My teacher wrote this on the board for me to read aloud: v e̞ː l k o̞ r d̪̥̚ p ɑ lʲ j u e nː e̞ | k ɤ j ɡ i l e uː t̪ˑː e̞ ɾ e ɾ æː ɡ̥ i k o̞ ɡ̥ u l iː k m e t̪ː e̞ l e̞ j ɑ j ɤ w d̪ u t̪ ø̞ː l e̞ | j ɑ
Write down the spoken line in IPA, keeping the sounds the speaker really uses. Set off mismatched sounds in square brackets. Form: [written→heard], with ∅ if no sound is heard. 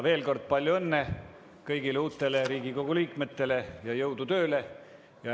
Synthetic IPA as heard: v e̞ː l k o̞ r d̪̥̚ p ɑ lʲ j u e nː e̞ | k ɤ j ɡ i l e uː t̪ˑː e̞ [ɾ→l] e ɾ [æː→iː] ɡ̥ i k o̞ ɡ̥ u l iː k m e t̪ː e̞ l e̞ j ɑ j ɤ w d̪ u t̪ ø̞ː l e̞ | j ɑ